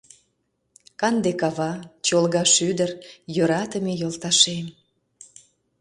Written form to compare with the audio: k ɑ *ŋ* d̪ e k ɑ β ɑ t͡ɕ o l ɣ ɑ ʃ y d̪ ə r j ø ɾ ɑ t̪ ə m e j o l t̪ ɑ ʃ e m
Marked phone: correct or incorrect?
incorrect: n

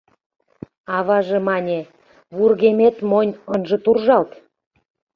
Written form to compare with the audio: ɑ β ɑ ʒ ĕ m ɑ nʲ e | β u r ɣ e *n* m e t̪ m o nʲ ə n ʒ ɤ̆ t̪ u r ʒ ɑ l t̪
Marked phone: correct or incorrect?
incorrect: none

